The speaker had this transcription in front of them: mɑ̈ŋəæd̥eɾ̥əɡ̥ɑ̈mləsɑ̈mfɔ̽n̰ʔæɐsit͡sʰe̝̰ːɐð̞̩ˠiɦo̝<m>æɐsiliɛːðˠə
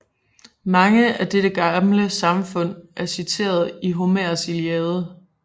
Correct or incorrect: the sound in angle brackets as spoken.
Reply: correct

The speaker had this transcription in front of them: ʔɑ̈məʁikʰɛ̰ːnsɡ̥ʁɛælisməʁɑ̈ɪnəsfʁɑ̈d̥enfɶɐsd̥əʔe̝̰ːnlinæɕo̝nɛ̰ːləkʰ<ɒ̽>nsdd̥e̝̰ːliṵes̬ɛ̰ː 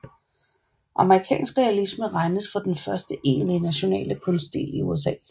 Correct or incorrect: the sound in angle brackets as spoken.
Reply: incorrect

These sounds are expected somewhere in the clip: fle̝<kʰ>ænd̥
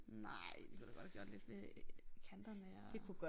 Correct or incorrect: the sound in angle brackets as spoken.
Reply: correct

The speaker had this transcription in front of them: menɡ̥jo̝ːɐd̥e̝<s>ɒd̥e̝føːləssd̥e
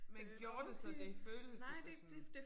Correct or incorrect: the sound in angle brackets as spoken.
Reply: correct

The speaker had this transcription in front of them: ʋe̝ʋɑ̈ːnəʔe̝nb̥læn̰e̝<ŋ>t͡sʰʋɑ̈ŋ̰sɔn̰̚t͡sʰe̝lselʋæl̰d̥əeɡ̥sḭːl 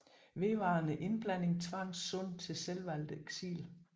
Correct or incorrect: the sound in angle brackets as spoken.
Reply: correct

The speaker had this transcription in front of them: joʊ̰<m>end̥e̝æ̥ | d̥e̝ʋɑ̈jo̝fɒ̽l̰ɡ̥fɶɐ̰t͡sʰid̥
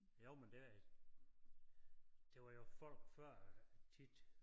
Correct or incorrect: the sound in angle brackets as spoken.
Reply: correct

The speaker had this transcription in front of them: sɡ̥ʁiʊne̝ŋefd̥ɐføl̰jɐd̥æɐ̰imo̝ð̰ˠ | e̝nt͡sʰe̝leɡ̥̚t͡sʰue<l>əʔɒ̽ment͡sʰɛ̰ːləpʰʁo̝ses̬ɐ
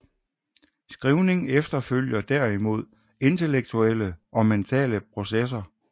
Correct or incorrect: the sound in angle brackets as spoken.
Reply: correct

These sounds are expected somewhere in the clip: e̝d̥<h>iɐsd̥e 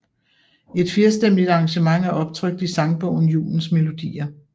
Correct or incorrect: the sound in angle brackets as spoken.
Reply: incorrect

